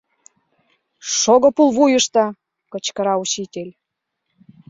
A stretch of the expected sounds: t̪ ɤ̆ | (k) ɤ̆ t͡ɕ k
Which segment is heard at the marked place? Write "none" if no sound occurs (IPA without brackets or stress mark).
k